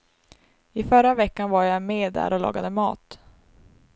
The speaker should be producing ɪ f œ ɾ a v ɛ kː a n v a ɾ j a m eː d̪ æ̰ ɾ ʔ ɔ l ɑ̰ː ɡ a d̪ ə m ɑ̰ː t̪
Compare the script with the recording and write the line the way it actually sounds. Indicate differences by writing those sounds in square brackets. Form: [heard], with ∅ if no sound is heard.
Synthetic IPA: ɪ f œ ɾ a v ɛ kː a n v a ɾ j a m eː d̪ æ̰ ɾ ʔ ɔ l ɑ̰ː ɡ a d̪ ə m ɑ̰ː t̪